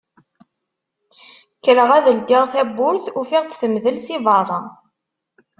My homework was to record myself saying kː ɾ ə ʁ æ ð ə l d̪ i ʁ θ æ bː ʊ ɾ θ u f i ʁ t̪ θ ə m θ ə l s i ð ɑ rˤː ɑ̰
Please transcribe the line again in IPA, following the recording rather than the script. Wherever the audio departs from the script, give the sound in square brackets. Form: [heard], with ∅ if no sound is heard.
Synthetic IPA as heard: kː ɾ ə ʁ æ ð ə l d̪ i ʁ θ æ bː ʊ ɾ θ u f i ʁ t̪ θ ə m [ð] ə l s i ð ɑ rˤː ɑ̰